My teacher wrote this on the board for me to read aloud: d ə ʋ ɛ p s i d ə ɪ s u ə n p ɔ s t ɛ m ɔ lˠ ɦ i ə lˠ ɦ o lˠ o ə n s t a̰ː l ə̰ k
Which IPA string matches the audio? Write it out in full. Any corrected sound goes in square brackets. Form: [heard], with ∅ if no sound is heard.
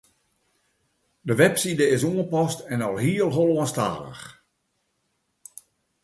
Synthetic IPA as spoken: d ə ʋ ɛ p s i d ə ɪ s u ə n p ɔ s t ɛ [n] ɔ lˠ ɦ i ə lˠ ɦ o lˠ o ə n s t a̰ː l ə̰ [x]